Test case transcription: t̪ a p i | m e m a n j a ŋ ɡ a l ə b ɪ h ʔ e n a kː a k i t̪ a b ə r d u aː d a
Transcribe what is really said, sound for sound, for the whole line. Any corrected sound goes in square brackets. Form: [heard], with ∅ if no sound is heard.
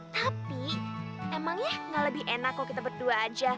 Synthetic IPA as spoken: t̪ a p i | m e m a [ŋ] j a ŋ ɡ a l ə b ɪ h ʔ e n a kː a k i t̪ a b ə r d u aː [d͡ʒ] a